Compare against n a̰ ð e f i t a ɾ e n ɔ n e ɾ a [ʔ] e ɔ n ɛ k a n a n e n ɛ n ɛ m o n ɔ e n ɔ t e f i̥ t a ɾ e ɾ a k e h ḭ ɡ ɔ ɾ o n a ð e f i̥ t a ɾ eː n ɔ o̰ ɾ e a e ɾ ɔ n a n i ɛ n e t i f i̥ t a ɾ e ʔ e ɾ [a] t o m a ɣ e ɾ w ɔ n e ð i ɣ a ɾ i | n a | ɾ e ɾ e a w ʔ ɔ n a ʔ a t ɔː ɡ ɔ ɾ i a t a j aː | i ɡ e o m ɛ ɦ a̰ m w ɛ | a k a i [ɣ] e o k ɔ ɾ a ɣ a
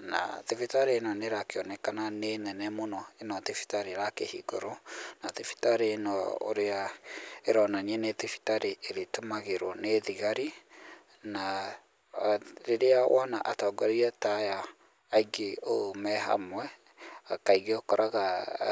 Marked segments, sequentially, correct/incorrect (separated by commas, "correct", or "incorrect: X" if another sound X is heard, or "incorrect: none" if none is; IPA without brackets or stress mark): incorrect: k, incorrect: e, correct